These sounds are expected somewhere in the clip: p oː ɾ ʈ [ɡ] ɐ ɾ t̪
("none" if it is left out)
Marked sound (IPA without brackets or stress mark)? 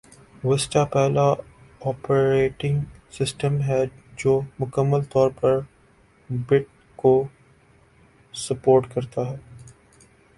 k